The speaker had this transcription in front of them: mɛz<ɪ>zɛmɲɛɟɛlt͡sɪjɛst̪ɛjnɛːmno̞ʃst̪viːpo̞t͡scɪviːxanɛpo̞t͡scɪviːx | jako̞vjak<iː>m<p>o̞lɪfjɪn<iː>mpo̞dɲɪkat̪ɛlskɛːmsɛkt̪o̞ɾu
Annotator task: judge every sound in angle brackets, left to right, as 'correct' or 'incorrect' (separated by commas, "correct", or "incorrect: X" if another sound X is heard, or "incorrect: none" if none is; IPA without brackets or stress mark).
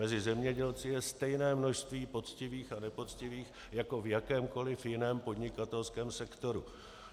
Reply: correct, incorrect: ɛː, incorrect: k, incorrect: ɛː